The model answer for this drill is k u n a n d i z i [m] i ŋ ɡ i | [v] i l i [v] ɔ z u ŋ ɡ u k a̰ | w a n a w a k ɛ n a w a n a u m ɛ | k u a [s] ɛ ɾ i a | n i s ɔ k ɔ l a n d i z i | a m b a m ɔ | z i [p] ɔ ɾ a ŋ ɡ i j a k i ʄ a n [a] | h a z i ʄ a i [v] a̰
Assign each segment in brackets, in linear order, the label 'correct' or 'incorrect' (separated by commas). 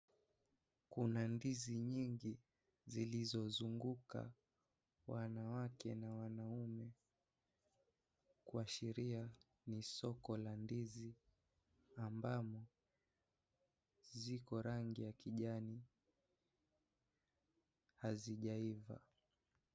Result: incorrect, incorrect, incorrect, incorrect, incorrect, incorrect, correct